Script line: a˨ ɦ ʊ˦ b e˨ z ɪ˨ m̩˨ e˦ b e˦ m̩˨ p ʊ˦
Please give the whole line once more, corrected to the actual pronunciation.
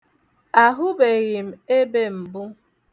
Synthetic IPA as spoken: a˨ ɦ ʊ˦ b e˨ ɣ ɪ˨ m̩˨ e˦ b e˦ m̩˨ b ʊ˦